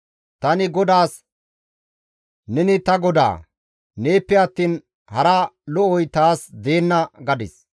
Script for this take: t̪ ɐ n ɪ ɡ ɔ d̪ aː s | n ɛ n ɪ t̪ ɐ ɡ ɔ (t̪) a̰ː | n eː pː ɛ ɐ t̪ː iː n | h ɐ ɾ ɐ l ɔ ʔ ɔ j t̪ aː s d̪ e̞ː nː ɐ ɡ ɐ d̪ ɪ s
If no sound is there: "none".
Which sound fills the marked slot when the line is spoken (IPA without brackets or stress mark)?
d̪